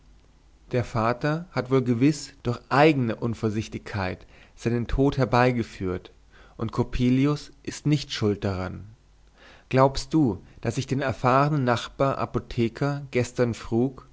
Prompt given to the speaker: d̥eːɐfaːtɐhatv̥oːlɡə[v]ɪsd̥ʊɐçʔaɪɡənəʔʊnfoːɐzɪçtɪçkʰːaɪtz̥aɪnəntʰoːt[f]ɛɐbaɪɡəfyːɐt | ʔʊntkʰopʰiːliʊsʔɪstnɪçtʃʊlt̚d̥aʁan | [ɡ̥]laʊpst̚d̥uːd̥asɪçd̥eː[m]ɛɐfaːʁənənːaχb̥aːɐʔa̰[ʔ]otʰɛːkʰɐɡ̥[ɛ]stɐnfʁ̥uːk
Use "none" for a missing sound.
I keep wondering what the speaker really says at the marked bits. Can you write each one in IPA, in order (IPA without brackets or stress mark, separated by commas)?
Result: v, h, ɡ̥, n, p, ɛ